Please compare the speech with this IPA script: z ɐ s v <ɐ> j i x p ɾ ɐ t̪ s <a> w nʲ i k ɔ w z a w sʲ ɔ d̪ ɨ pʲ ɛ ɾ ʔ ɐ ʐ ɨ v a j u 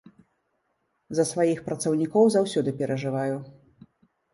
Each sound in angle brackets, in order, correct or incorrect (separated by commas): incorrect, incorrect